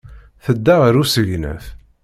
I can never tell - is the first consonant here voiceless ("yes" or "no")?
yes